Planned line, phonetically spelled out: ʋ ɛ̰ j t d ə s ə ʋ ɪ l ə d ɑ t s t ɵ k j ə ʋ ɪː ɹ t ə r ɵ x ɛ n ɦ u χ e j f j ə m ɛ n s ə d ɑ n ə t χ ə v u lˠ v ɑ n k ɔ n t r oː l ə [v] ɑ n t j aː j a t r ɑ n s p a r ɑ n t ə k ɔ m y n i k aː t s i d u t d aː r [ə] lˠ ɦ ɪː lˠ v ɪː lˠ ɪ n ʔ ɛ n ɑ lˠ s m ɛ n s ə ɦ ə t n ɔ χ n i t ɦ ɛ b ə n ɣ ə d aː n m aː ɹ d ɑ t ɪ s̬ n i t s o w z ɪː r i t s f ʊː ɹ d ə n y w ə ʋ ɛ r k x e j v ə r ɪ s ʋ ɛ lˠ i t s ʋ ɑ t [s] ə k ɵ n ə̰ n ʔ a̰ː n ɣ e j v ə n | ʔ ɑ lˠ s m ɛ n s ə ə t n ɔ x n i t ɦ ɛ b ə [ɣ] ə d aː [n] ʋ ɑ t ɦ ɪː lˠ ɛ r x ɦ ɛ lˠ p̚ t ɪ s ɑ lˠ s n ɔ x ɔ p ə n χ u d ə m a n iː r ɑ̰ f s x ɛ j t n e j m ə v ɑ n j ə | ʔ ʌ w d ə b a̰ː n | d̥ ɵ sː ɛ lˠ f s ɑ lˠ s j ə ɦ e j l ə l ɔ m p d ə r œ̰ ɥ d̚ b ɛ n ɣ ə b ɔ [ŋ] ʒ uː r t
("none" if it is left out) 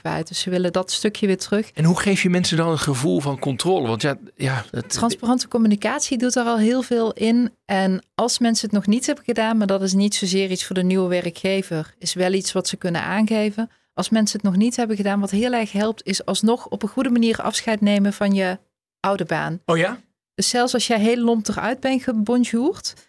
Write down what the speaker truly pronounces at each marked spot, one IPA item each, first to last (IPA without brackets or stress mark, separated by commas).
ʋ, ɑ, s, ɣ, n, n